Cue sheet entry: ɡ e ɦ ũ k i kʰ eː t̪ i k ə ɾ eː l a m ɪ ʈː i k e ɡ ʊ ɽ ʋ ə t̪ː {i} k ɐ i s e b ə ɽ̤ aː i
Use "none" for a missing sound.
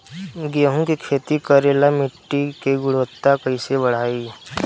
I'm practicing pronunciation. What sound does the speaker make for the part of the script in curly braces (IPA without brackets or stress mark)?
a